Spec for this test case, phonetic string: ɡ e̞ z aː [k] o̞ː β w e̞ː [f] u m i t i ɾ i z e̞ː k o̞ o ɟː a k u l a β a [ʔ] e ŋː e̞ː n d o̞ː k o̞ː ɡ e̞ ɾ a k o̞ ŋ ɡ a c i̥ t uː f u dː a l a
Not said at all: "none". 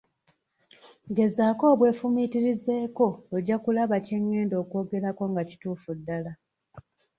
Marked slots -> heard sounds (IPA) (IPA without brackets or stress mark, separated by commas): k, f, c